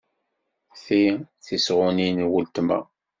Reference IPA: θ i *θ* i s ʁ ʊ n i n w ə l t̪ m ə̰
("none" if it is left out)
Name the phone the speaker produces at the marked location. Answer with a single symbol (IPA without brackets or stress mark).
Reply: θ